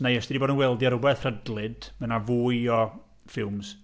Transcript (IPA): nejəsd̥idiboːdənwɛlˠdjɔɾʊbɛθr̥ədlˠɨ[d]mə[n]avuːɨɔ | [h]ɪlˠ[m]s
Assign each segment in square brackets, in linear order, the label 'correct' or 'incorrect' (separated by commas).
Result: correct, correct, incorrect, correct